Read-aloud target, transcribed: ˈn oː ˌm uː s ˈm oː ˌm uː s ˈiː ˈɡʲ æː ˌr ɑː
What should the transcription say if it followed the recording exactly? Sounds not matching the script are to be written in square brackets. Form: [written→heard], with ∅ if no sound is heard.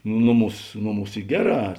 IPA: ˈn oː ˌm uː s [ˈm→ˈn] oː ˌm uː s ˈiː ˈɡʲ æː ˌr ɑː